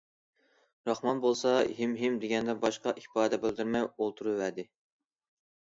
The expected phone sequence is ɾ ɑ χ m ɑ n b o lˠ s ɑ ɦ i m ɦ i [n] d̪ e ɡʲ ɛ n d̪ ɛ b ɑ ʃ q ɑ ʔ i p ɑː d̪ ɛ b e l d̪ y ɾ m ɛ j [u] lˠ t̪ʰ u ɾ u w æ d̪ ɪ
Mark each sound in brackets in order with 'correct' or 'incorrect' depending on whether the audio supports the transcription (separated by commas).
incorrect, incorrect